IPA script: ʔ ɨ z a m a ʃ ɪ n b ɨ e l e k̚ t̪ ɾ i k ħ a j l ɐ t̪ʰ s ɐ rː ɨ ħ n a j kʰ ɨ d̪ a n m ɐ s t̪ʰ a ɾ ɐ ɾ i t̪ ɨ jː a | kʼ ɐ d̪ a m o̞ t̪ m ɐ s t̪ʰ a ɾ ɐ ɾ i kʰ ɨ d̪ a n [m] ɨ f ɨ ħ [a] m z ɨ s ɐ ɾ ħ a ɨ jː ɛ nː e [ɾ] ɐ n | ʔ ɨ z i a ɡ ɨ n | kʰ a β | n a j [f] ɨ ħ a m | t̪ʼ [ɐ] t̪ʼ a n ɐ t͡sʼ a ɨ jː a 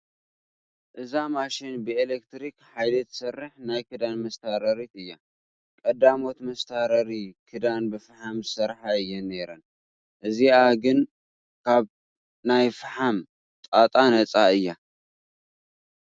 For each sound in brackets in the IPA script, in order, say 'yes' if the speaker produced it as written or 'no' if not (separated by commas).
no, yes, yes, yes, no